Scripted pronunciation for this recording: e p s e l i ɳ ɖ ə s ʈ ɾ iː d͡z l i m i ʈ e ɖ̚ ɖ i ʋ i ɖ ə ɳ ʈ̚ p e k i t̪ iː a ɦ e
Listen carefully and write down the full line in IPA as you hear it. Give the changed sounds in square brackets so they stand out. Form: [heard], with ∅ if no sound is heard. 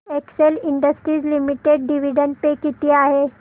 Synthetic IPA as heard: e [k] s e l i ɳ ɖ ə s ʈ ɾ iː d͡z l i m i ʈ e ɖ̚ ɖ i ʋ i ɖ ə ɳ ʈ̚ p e k i t̪ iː a ɦ e

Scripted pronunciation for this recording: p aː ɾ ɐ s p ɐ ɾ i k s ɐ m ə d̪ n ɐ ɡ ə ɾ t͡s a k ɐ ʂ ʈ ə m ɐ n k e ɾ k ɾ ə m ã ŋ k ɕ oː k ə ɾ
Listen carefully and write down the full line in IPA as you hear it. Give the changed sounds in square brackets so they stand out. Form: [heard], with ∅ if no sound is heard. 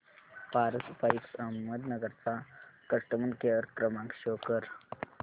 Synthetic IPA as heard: p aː ɾ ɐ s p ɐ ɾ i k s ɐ m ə d̪ n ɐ ɡ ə ɾ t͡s a k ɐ ʂ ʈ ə m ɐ n k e ɾ k ɾ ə m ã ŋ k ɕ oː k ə ɾ

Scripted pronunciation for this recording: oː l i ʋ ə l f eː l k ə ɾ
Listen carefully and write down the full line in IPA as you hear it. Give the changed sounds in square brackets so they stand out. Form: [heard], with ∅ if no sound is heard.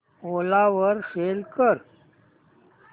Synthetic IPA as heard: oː l [a] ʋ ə [ɾ] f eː l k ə ɾ

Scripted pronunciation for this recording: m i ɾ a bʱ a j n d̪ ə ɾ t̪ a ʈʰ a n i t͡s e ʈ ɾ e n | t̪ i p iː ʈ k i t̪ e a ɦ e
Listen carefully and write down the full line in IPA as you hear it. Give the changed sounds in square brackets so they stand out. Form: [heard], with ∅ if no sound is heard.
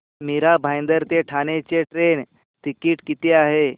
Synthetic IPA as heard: m i ɾ a bʱ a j n d̪ ə ɾ t̪ [e] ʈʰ a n [e] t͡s e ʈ ɾ e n | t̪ i [k] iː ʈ k i t̪ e a ɦ e

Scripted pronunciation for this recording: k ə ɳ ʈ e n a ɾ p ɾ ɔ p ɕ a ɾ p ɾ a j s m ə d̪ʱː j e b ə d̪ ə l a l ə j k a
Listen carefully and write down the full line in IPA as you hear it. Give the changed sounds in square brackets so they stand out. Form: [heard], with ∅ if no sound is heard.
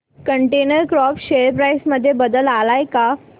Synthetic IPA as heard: k ə ɳ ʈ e n [ə] ɾ [k] ɾ ɔ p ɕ [e] ɾ p ɾ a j s m ə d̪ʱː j e b ə d̪ ə l a l [a] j k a

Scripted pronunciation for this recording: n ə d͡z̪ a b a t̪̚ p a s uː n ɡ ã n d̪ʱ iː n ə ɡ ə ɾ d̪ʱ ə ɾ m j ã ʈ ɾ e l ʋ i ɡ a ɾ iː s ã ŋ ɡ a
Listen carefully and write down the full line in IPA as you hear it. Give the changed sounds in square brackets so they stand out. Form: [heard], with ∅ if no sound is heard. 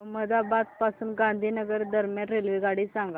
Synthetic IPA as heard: [m] ə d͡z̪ a b a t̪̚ p a s uː n ɡ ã n d̪ʱ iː n ə ɡ ə ɾ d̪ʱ ə ɾ m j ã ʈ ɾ e l ʋ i ɡ a [ɽ] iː s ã ŋ ɡ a

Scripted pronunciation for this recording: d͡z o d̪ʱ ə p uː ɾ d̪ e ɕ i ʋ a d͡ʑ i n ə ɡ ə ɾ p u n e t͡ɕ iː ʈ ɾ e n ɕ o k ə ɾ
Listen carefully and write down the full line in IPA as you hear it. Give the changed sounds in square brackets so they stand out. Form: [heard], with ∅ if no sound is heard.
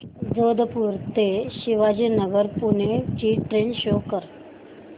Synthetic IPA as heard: d͡z o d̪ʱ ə p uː ɾ [t̪] e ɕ i ʋ a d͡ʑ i n ə ɡ ə ɾ p u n e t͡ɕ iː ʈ ɾ e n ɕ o k ə ɾ

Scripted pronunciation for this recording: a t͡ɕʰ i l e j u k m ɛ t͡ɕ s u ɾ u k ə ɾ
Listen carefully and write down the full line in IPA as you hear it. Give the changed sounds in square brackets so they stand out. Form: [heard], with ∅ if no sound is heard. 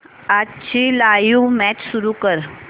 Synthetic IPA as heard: a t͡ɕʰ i l [a] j u [∅] m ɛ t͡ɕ s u ɾ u k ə ɾ

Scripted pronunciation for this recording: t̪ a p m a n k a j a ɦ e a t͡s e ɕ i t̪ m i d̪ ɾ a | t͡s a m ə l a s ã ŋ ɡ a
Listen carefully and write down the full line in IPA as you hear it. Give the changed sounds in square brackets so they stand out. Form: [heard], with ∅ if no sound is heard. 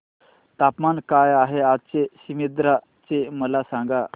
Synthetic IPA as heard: t̪ a p m a n k a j a ɦ e a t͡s e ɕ i [∅] m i d̪ ɾ a | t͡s [e] m ə l a s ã ŋ ɡ a

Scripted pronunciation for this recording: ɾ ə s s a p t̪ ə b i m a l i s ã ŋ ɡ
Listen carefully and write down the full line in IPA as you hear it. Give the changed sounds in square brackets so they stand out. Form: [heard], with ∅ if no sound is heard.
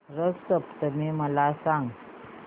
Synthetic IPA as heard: ɾ ə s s [ə] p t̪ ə [m] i m [ə] l [a] s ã ŋ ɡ

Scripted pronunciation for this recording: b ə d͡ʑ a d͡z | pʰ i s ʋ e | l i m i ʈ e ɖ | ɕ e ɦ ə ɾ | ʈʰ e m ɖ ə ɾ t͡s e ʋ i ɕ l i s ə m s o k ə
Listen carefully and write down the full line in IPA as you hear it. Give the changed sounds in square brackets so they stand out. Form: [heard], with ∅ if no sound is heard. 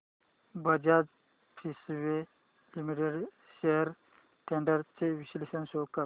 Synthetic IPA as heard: b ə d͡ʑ a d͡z | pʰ i s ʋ e | l i m i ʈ e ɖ | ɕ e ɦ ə ɾ | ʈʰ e [ɳ] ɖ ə ɾ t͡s e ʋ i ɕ l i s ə [n] s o k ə

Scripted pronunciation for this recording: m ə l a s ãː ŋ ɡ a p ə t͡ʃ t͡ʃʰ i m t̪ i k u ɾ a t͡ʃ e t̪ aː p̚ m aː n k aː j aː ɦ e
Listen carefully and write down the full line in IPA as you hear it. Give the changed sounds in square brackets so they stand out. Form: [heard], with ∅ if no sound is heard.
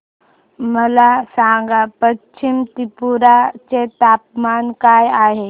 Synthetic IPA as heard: m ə l a s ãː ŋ ɡ a p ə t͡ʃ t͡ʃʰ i m t̪ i [p] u ɾ a t͡ʃ e t̪ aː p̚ m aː n k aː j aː ɦ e

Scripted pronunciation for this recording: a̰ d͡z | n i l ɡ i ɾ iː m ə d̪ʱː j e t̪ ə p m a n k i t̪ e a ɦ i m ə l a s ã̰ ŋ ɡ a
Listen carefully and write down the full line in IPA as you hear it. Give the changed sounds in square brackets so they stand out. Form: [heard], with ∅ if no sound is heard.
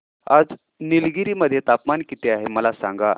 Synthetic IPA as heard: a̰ d͡z | n i l ɡ i ɾ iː m ə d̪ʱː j e t̪ [a] p m a n k i t̪ e a ɦ [e] m ə l a s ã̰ ŋ ɡ a

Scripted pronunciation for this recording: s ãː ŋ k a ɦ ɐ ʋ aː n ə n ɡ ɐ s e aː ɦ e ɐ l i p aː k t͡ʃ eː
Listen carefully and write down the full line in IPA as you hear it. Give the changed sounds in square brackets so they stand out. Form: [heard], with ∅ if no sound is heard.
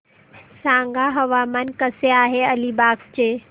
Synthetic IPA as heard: s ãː ŋ [ɡ] a ɦ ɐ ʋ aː [m] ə n [k] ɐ s e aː ɦ e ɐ l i [b] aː k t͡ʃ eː

